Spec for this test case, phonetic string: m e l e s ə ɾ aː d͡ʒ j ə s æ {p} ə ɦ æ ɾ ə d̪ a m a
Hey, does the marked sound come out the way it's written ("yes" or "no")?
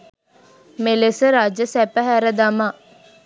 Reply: yes